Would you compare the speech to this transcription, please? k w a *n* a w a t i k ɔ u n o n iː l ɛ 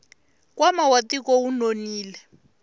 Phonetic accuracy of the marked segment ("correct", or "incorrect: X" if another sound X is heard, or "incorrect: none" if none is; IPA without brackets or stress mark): incorrect: m